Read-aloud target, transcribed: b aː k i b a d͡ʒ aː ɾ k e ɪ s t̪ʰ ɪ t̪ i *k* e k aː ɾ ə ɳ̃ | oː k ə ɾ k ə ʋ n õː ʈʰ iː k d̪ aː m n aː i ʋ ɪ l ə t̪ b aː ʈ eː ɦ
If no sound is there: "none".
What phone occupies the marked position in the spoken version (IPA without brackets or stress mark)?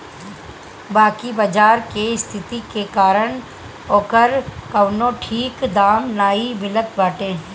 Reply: k